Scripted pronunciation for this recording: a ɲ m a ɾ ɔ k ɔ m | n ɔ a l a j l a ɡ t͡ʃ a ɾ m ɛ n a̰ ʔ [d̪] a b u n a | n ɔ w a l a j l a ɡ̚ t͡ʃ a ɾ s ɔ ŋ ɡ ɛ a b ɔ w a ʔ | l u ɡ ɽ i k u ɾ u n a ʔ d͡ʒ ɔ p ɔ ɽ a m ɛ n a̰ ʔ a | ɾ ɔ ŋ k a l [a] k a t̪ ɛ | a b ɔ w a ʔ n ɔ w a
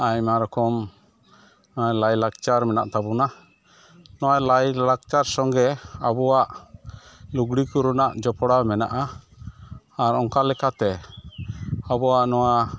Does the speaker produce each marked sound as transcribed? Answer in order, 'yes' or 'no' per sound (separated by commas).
no, no